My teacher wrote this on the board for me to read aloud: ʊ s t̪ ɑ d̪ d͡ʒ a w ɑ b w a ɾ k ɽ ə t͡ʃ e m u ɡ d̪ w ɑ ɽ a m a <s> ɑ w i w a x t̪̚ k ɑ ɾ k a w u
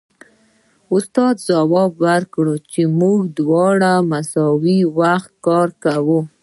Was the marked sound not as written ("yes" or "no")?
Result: no